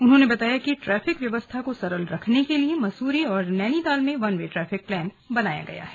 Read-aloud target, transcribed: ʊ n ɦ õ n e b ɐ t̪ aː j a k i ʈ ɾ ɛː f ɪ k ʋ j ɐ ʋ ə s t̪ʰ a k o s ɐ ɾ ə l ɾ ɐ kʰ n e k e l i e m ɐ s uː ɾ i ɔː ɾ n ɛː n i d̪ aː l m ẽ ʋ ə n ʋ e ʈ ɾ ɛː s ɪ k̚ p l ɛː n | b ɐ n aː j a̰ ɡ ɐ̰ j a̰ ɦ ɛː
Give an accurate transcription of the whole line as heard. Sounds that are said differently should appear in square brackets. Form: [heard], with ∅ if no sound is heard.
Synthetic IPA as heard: ʊ n ɦ õ n e b ɐ t̪ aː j a k i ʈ ɾ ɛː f ɪ k ʋ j ɐ ʋ ə s t̪ʰ a k o s ɐ ɾ ə l ɾ ɐ kʰ n e k e l i e m ɐ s uː ɾ i ɔː ɾ n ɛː n i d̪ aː l m ẽ ʋ [ɐ] n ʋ e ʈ ɾ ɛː [f] ɪ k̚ p l ɛː n | b ɐ n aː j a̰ ɡ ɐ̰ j a̰ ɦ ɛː